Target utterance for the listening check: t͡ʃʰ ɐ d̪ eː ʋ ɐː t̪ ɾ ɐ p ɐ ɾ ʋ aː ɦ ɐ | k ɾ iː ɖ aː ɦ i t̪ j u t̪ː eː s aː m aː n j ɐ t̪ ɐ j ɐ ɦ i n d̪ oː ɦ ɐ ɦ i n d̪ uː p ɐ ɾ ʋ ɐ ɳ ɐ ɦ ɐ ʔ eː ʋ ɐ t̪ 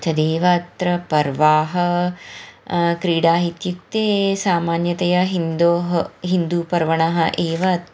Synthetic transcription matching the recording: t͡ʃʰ ɐ d̪ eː ʋ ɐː t̪ ɾ ɐ p ɐ ɾ ʋ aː ɦ ɐ | k ɾ iː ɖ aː ɦ i t̪ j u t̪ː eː s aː m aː n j ɐ t̪ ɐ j ɐ ɦ i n d̪ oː ɦ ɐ ɦ i n d̪ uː p ɐ ɾ ʋ ɐ ɳ ɐ ɦ ɐ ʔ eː ʋ ɐ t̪